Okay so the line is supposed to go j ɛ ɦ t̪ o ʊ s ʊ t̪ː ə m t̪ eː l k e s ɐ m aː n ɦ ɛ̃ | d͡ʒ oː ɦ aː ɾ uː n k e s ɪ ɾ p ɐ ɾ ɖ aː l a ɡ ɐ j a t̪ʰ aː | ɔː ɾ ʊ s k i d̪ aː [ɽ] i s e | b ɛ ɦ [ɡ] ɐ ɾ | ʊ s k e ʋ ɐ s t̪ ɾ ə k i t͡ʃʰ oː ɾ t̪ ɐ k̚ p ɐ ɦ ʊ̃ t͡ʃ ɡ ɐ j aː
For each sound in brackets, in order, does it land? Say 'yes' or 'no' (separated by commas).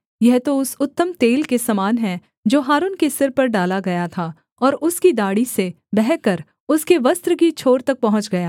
yes, no